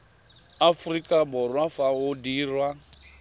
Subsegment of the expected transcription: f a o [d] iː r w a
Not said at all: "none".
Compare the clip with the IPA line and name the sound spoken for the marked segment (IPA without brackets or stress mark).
d